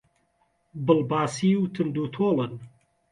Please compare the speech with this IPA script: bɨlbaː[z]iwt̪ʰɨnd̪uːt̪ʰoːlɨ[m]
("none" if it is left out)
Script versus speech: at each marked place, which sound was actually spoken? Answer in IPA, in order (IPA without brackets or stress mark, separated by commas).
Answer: s, n